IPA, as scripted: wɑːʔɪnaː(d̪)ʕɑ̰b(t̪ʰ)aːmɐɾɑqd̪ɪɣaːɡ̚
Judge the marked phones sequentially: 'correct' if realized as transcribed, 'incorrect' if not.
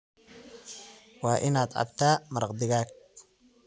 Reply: correct, correct

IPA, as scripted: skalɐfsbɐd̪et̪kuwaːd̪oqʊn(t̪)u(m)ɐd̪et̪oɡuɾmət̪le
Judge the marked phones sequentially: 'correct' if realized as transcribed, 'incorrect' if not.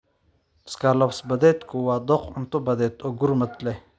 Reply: correct, incorrect

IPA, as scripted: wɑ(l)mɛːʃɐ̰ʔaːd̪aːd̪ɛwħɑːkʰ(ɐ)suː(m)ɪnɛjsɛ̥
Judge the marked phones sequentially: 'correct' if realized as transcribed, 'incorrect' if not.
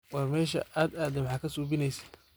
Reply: incorrect, correct, incorrect

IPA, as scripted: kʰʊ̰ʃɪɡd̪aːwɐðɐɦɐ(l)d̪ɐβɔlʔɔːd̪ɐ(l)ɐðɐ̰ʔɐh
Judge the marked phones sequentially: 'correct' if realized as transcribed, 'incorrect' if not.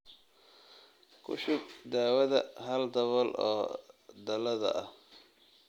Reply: correct, correct

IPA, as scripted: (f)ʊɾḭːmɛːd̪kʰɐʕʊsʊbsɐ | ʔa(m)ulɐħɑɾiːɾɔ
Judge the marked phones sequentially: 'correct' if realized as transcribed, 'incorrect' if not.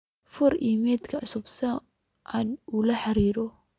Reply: correct, incorrect

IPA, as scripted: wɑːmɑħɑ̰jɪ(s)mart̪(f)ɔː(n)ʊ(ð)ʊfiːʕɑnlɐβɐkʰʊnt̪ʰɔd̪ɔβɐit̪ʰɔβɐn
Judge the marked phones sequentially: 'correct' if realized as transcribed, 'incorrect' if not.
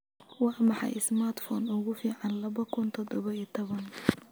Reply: correct, correct, correct, incorrect

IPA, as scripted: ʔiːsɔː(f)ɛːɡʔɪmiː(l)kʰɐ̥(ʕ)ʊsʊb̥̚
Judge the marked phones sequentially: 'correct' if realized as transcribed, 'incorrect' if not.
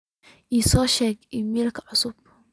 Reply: incorrect, correct, correct

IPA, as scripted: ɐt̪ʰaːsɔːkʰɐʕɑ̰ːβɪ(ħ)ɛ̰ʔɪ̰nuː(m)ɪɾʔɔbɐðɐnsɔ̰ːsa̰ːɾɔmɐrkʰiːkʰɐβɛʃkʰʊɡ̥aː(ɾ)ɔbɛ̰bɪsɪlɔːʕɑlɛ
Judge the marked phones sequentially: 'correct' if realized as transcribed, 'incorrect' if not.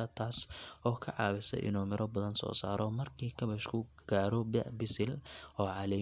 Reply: incorrect, correct, correct

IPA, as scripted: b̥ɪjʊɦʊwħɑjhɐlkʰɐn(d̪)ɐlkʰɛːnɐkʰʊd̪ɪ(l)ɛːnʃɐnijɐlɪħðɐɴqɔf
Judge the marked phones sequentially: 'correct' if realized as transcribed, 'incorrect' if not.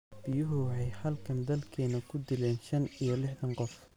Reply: correct, correct

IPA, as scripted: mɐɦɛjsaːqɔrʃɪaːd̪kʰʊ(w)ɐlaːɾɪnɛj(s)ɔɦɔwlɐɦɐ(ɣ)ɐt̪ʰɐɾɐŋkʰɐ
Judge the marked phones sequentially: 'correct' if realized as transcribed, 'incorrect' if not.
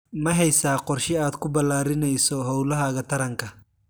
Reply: incorrect, correct, correct

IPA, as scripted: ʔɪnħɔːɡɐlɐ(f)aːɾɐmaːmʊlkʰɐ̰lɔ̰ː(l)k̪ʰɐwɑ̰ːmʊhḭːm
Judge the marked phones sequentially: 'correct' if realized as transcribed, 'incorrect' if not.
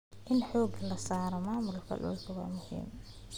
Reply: incorrect, correct

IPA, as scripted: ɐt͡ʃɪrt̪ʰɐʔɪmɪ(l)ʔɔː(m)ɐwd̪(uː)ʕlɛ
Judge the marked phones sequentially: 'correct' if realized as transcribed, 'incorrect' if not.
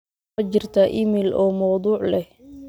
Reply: correct, correct, correct

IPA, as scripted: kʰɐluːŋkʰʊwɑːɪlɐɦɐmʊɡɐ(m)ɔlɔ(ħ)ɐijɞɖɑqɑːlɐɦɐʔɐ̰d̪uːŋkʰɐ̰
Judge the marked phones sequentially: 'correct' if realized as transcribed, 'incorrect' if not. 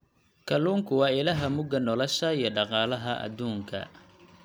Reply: incorrect, incorrect

